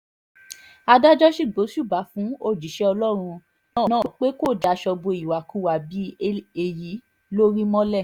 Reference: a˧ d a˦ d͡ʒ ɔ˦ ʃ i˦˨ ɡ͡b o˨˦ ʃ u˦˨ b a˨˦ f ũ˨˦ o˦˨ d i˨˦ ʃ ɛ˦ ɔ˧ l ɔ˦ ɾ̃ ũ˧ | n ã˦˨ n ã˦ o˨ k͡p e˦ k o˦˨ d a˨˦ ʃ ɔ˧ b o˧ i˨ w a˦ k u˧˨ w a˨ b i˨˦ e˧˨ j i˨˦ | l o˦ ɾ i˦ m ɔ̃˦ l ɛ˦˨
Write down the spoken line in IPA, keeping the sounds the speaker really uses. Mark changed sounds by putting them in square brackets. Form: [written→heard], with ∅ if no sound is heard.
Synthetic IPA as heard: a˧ d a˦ d͡ʒ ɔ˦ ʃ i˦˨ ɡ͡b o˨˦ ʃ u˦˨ b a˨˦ f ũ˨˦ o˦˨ [d→d͡ʒ] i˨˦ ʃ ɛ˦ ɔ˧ l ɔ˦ ɾ̃ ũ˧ | n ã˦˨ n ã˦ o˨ k͡p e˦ k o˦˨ d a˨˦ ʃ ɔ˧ b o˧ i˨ w [a˦→a˨] k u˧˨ w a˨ b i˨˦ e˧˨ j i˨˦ | l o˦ ɾ i˦ m ɔ̃˦ l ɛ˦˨